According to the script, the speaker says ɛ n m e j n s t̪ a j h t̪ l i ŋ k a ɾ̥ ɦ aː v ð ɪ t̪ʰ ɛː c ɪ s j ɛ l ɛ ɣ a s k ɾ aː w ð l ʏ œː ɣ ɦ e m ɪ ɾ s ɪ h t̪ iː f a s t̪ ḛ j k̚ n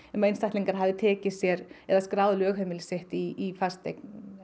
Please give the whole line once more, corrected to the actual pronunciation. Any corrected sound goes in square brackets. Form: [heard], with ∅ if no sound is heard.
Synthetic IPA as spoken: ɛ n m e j n s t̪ a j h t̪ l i ŋ k a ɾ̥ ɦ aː v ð ɪ t̪ʰ ɛː c ɪ s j ɛ [ɾ] ɛ [ð] a s k ɾ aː w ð l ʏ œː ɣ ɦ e m ɪ [l] s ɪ h t̪ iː f a s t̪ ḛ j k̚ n